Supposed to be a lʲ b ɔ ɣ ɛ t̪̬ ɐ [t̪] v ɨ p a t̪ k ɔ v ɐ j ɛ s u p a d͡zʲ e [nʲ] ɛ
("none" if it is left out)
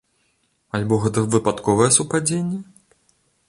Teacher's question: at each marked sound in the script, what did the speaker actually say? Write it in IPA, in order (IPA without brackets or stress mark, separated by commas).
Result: none, nʲː